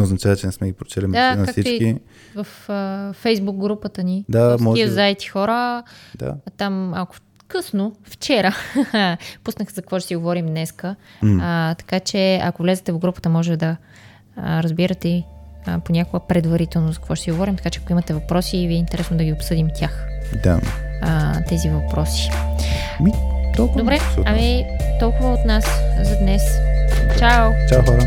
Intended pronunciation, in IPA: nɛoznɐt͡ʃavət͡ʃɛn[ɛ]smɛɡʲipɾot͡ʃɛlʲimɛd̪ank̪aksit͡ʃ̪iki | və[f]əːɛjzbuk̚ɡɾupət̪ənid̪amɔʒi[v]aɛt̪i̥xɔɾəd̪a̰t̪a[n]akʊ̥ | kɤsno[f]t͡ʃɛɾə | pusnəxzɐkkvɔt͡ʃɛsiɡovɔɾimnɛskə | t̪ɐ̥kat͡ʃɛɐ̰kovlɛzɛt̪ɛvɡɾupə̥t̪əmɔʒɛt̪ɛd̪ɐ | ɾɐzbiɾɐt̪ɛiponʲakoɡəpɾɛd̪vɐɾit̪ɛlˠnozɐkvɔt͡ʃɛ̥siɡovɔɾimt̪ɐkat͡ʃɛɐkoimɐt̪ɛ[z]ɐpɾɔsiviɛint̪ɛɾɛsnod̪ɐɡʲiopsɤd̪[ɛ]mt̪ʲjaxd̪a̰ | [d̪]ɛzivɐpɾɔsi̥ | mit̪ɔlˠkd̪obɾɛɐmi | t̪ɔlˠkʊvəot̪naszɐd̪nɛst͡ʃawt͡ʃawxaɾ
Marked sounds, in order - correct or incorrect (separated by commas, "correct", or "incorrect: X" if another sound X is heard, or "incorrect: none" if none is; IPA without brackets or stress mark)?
correct, correct, incorrect: z, incorrect: m, correct, incorrect: v, incorrect: i, incorrect: t̪